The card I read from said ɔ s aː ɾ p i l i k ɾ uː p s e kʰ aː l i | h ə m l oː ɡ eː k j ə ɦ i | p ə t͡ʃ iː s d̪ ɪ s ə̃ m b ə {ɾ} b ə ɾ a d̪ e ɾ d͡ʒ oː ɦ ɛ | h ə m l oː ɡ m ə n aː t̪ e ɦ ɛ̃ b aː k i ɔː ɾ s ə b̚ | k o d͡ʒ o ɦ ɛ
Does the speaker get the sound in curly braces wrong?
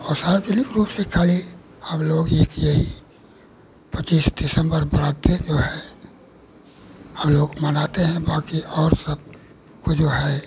no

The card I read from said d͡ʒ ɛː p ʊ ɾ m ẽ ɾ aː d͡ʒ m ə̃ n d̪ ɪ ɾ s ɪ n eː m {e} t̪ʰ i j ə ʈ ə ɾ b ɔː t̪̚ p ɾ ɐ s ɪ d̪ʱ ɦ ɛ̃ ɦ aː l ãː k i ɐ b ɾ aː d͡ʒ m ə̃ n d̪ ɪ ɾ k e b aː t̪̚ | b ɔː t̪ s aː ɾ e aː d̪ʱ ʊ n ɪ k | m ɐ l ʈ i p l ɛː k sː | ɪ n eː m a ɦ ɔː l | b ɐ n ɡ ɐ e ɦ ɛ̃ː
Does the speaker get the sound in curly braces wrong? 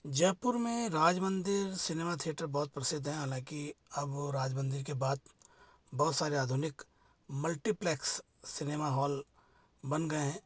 yes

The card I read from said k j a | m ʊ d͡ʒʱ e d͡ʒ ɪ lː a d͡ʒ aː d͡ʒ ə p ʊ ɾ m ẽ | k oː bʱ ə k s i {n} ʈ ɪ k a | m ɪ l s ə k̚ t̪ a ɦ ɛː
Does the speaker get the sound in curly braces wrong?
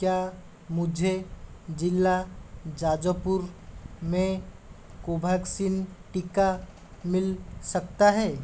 no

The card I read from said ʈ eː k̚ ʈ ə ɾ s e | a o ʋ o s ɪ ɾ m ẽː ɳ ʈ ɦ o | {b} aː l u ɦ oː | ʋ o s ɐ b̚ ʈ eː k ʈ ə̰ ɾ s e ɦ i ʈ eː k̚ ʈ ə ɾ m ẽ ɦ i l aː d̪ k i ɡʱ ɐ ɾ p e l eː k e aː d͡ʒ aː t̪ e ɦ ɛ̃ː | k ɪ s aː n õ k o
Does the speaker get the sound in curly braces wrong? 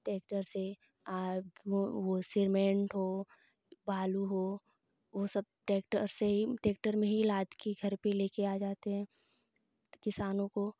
no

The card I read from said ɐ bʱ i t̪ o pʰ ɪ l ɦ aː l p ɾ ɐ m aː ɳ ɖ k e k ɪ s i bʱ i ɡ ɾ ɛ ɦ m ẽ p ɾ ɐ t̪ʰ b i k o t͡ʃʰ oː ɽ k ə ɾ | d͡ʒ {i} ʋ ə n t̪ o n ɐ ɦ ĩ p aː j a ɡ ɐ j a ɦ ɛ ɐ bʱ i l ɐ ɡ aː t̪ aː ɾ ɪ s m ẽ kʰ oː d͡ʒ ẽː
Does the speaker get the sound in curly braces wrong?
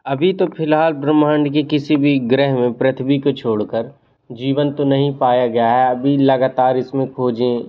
yes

